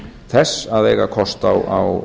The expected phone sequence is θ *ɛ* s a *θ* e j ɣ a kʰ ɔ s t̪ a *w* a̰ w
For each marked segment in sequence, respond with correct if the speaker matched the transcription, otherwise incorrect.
correct, incorrect: ð, correct

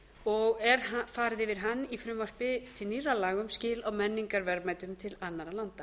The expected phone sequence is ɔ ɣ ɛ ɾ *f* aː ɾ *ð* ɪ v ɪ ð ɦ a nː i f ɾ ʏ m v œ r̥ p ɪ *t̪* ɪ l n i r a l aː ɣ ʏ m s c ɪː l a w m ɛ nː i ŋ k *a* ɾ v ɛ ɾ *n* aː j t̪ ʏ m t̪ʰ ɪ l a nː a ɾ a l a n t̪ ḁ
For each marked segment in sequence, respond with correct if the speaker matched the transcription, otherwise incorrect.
correct, correct, incorrect: t̪ʰ, correct, incorrect: m

